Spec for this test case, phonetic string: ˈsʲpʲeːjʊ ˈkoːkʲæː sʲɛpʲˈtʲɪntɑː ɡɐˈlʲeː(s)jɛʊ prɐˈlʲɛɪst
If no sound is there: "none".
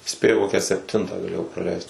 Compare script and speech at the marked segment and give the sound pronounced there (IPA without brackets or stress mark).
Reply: none